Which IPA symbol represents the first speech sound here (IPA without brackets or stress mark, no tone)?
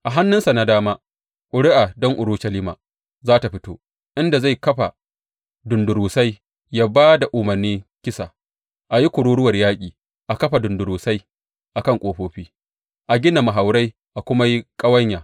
ʔ